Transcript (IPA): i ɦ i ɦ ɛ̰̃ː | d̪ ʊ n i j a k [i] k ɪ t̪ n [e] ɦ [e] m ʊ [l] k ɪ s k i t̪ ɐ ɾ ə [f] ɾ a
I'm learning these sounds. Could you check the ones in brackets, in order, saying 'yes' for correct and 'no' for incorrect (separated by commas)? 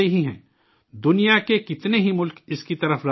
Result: no, yes, no, yes, yes